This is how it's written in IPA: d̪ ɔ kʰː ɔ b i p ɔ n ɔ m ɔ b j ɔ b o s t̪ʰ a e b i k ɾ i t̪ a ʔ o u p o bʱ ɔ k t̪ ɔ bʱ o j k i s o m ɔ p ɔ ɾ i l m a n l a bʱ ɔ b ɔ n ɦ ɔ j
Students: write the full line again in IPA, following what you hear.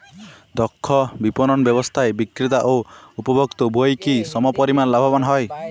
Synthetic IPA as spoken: d̪ ɔ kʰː ɔ b i p ɔ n ɔ n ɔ b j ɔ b ɔ s t̪ʰ a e b i k ɾ i t̪ a ʔ o u p ɔ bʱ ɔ k t̪ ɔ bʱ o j k i s ɔ m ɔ p ɔ ɾ i m a n l a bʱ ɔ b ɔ n ɦ ɔ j